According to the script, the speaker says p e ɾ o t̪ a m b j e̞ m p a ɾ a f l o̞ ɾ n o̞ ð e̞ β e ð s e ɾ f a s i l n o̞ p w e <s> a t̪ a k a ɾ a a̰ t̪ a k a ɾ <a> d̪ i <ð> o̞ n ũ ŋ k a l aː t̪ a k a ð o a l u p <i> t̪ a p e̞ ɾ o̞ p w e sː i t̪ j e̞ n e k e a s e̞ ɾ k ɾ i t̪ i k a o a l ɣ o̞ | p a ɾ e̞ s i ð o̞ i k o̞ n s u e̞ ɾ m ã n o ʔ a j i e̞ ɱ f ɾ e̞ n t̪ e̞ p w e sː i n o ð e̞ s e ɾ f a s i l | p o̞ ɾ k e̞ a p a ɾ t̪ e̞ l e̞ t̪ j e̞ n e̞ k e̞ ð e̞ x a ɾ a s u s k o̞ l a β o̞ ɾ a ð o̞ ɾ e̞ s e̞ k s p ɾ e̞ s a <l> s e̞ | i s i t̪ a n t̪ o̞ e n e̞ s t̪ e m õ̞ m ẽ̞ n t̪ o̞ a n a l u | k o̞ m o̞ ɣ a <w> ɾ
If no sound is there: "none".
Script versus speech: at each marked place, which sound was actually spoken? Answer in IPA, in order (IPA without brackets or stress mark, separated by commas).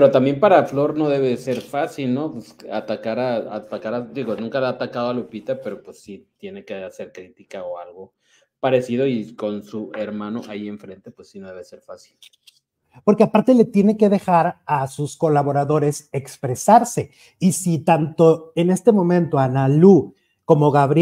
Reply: s, a, ɣ, i, ɾ, β